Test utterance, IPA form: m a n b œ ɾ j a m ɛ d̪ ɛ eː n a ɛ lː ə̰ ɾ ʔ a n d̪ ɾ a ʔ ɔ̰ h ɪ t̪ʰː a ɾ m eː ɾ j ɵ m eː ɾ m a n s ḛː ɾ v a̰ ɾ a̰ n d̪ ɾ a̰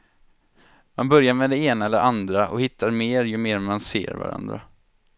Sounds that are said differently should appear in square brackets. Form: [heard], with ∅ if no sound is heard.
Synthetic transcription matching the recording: m a n b œ ɾ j a m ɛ d̪ ɛ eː n a ɛ lː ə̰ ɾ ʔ a n d̪ ɾ a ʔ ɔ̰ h ɪ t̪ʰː a ɾ m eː ɾ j ɵ m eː ɾ m a n s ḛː ɾ v a̰ ɾ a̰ n d̪ ɾ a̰